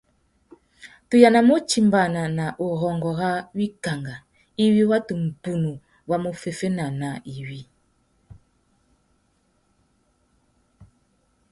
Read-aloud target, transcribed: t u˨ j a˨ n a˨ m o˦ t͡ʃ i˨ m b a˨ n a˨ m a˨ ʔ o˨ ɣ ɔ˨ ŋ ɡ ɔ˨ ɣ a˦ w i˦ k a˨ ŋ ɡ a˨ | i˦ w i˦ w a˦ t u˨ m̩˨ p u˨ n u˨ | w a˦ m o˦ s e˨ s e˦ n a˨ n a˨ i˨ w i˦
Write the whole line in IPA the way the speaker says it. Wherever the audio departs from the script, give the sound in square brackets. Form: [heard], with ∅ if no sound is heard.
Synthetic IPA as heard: t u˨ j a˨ n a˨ m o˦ t͡ʃ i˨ m b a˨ n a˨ [n] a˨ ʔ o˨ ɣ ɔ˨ ŋ ɡ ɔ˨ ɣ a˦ w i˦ k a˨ ŋ ɡ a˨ | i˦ w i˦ w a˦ t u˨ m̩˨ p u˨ n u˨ | w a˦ m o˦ [f] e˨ [f] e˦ n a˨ n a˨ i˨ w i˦